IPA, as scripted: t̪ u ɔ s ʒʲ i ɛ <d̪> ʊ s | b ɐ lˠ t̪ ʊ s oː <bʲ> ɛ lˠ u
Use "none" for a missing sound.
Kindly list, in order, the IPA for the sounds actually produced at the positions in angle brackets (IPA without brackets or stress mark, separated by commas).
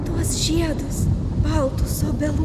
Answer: d̪, bʲ